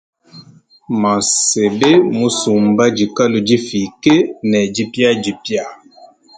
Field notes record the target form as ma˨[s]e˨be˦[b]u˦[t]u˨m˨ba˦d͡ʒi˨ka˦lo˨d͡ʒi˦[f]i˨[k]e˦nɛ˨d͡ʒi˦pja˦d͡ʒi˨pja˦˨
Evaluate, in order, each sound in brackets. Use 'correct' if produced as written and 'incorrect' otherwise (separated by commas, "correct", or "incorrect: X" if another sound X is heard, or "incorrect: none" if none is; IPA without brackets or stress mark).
correct, incorrect: m, incorrect: s, correct, correct